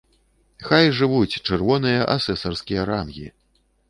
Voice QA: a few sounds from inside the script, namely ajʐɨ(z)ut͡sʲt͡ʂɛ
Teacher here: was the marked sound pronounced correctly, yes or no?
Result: no